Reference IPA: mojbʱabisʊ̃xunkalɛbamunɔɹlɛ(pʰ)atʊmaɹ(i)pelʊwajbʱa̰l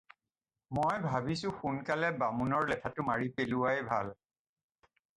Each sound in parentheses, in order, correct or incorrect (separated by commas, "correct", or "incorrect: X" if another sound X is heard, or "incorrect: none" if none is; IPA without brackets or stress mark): incorrect: tʰ, correct